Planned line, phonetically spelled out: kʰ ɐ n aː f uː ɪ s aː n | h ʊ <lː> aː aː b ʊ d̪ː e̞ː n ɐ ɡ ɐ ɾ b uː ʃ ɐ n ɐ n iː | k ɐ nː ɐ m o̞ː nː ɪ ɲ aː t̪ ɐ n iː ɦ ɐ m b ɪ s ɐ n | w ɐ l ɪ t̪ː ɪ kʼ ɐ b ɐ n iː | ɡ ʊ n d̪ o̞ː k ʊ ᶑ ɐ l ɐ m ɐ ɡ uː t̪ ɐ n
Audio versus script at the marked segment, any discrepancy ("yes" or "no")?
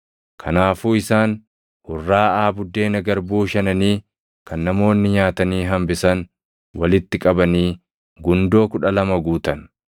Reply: yes